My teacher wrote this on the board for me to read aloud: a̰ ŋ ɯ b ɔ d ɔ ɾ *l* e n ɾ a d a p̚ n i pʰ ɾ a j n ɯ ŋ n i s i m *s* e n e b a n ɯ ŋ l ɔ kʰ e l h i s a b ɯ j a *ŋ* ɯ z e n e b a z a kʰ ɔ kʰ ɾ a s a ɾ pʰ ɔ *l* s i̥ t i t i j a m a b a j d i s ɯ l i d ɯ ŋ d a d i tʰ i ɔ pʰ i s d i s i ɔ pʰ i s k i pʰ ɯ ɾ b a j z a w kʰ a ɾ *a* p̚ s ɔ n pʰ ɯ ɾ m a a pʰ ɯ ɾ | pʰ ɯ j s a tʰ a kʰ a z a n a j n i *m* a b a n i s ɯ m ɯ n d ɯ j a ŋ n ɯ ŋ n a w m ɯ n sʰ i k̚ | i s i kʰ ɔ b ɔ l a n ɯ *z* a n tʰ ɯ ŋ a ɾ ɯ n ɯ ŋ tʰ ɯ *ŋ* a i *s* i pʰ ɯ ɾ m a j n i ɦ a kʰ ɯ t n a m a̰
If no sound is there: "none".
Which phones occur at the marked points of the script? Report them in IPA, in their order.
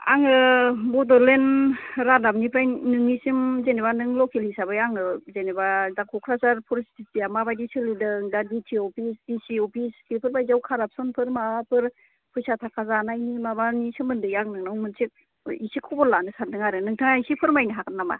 l, z, ŋ, ɾ, a, m, s, ŋ, s

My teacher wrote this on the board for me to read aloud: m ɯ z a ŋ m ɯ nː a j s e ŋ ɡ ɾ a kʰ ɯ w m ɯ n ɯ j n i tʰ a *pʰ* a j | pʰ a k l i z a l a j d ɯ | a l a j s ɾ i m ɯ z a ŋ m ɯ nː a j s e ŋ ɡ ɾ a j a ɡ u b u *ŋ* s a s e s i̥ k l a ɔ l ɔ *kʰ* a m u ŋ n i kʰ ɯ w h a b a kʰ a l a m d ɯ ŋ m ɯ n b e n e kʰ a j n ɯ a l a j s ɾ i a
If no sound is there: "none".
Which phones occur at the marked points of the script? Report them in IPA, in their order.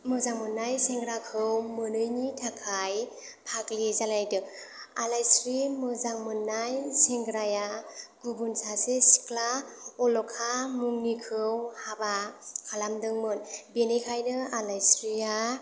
kʰ, n, kʰ

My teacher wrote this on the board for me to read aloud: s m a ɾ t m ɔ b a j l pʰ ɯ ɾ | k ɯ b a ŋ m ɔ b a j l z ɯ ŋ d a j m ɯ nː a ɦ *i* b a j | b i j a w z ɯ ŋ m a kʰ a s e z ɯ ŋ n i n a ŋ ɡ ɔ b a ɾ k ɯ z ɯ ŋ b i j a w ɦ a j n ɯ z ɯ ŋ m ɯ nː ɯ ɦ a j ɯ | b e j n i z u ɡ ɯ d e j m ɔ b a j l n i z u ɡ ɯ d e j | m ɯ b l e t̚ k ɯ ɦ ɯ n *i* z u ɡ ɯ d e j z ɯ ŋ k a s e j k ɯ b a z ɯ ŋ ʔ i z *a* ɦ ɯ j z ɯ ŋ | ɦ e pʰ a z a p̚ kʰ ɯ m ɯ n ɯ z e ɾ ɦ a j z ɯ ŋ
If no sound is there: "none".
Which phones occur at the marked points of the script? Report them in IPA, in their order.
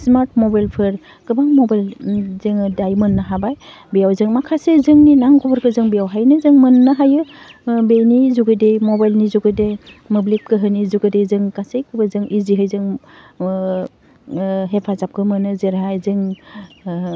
a, i, i

